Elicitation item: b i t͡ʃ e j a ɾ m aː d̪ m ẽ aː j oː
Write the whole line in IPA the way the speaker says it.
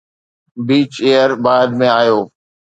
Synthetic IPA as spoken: b iː t͡ʃ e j ə ɾ b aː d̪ m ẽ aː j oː